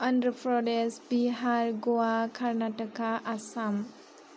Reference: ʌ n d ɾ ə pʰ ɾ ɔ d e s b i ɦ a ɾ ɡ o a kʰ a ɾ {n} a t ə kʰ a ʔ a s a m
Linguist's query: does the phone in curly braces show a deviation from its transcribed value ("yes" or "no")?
no